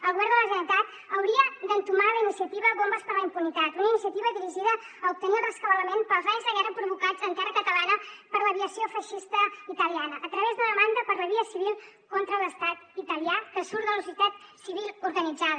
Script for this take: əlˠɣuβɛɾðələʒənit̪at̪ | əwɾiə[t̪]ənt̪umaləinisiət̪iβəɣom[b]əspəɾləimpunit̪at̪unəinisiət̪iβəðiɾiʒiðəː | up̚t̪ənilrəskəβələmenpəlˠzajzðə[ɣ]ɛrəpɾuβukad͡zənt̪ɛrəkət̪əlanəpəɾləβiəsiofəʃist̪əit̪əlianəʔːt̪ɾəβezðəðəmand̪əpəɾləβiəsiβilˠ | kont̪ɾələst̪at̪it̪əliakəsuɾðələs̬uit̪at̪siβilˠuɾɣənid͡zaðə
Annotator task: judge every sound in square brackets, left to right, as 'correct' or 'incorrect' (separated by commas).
incorrect, correct, correct